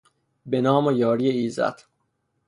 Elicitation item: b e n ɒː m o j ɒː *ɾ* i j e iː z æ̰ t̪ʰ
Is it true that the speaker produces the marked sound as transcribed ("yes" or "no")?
yes